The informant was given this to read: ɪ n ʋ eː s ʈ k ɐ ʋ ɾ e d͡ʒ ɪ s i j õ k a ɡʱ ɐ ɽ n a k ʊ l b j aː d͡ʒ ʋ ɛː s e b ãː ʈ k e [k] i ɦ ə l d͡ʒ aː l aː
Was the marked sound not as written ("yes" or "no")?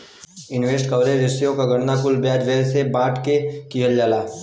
no